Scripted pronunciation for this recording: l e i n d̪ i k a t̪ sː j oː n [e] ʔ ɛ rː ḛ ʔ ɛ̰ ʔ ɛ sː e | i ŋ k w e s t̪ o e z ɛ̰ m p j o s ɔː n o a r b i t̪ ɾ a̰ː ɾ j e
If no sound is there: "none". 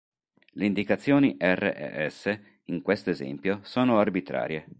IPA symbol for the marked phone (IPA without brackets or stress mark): i